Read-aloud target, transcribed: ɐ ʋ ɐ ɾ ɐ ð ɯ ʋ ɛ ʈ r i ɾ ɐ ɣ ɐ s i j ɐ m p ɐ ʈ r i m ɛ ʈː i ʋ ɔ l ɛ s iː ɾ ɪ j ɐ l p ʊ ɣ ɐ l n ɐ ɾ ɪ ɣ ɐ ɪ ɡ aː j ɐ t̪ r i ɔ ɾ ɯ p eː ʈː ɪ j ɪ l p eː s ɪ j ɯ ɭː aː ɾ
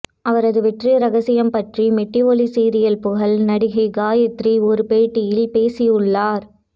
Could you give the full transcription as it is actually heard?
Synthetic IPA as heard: ɐ ʋ ɐ ɾ ɐ ð ɯ ʋ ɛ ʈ r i ɾ ɐ ɣ ɐ s ɪ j ɐ m p ɐ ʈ r i m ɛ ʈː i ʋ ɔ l i s iː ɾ ɪ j ɐ l p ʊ ɣ ɐ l n ɐ ɽ ɪ ɣ ɐ ɪ ɡ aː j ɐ t̪ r i ɔ ɾ ɯ p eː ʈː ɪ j ɪ l p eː s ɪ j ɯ ɭː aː ɾ